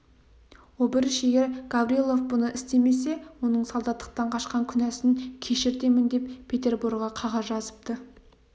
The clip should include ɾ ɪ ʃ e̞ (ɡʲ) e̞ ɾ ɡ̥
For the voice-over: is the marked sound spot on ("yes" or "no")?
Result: yes